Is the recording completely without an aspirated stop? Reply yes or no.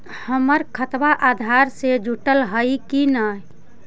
no